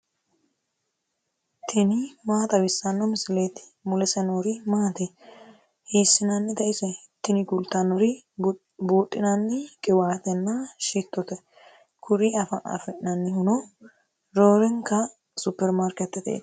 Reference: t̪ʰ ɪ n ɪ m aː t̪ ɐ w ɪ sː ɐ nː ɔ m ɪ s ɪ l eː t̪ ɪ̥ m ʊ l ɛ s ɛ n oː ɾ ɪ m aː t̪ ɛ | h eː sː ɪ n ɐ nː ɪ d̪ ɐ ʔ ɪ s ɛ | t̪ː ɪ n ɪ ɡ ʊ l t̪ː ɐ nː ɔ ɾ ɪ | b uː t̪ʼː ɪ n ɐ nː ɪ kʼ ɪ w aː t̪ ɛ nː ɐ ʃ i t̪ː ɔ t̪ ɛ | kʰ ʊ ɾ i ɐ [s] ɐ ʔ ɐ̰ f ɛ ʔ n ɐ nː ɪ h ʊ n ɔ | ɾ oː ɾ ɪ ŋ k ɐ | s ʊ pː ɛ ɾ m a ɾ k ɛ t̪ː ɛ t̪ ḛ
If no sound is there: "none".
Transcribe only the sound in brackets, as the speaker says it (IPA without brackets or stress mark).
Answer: f